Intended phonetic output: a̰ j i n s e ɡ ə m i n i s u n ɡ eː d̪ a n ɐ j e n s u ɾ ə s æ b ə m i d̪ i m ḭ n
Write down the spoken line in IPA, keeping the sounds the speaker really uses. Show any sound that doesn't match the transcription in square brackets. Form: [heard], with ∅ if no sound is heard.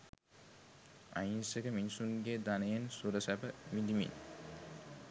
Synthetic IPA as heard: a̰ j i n s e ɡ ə m i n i s u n ɡ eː d̪ a n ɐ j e n s u ɾ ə s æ b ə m i d̪ i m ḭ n